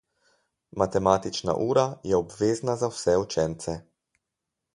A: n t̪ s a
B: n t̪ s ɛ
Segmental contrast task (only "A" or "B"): B